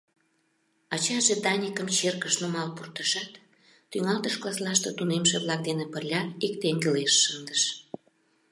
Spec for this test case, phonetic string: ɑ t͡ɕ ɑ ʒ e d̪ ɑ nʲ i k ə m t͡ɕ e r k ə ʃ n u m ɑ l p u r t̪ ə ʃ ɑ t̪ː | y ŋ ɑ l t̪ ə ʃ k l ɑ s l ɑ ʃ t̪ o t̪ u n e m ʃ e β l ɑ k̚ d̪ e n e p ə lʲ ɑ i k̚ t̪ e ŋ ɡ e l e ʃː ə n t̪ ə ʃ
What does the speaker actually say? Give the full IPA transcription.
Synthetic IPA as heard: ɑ t͡ɕ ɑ ʒ e d̪ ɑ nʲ i k ə m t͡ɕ e r k ə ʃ n u m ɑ l p u r t̪ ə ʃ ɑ t̪ː | y ŋ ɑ l t̪ ə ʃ k l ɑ s l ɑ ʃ t̪ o t̪ u n e m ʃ e β l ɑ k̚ d̪ e n e p ə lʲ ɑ i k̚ t̪ e ŋ ɡ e l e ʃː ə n d̪ ə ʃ